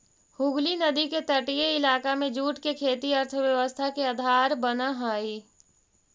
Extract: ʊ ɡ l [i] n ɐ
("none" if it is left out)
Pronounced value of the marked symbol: i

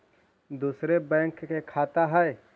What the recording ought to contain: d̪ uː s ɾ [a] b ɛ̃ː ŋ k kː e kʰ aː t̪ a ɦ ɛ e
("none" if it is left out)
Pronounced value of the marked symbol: e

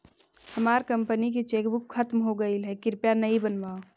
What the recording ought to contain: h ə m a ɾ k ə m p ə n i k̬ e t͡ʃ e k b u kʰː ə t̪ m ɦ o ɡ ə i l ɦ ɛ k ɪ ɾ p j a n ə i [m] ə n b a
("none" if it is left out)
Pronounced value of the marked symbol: b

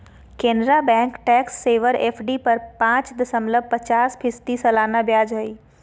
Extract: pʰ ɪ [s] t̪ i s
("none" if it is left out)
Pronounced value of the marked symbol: s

